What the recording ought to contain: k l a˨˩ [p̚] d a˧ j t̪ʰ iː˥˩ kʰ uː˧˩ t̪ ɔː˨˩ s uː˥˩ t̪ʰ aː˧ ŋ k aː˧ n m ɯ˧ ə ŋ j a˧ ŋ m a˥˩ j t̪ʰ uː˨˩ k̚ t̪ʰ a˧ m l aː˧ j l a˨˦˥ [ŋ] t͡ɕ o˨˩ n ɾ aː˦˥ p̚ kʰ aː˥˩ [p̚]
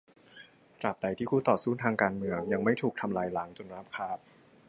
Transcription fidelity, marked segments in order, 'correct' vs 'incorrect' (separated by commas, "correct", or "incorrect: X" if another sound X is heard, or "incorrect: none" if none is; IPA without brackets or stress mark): correct, correct, correct